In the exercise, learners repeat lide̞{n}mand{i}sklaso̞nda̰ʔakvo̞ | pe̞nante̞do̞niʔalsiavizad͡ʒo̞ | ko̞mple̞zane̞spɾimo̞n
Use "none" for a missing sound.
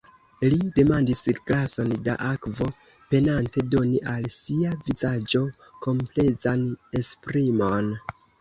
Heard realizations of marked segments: none, i

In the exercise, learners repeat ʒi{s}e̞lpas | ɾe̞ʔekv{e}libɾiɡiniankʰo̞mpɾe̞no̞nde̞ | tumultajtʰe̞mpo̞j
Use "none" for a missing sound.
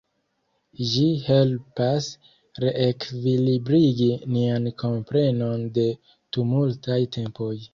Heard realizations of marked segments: h, i

